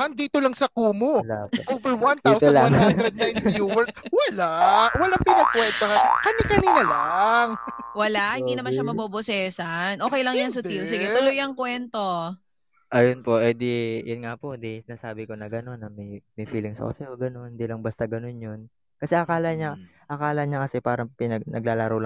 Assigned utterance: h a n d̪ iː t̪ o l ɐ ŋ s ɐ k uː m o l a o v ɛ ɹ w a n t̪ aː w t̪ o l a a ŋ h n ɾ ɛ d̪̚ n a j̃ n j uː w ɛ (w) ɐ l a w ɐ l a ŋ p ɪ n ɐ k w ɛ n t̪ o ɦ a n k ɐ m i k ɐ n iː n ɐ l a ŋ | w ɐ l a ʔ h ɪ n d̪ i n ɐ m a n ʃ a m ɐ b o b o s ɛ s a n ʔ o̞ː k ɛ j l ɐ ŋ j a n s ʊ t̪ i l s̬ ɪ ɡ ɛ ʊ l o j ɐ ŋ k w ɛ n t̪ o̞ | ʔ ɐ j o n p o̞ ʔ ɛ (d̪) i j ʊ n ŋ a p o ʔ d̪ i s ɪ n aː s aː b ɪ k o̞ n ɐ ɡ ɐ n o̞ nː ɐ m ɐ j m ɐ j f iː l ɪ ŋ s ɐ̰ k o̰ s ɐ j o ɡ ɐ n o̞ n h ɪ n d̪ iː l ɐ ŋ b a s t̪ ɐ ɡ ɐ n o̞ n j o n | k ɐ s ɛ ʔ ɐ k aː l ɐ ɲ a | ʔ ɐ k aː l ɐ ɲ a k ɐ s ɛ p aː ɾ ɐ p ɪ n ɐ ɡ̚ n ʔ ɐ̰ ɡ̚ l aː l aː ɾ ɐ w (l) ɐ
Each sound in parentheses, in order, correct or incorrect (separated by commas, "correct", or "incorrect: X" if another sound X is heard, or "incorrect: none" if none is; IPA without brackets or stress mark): correct, correct, correct